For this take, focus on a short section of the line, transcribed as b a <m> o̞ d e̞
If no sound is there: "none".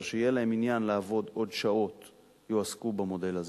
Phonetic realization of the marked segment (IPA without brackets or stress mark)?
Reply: m